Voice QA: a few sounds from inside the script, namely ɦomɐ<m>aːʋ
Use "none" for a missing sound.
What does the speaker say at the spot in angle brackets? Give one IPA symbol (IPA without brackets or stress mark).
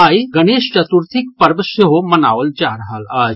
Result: n